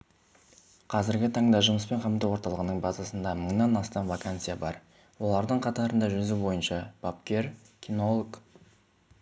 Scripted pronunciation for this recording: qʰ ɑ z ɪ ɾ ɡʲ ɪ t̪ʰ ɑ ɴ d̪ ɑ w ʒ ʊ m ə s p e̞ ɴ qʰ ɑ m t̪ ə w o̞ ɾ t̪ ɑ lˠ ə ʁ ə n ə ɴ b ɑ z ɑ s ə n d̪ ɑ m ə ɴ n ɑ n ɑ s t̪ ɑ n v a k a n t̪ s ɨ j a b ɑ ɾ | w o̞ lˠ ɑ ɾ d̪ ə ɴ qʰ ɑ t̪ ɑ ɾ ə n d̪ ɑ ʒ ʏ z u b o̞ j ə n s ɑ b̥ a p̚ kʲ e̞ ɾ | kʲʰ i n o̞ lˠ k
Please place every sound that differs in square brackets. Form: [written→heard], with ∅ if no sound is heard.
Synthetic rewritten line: qʰ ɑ z ɪ ɾ ɡʲ ɪ t̪ʰ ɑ ɴ d̪ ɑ [w→∅] ʒ ʊ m ə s p e̞ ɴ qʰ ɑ m t̪ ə w o̞ ɾ t̪ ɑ lˠ ə ʁ ə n ə ɴ b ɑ z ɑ s ə n d̪ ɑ m ə ɴ n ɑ n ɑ s t̪ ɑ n v a k a n t̪ s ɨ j a b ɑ ɾ | w o̞ lˠ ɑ ɾ d̪ ə ɴ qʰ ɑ t̪ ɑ ɾ ə n d̪ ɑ ʒ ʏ z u b o̞ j ə n [s→ʃ] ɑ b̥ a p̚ kʲ e̞ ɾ | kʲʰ i n o̞ lˠ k